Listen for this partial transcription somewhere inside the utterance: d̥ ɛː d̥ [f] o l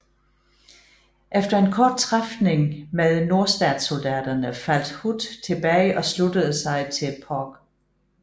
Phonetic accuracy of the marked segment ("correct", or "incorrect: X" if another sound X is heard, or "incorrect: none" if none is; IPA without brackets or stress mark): incorrect: s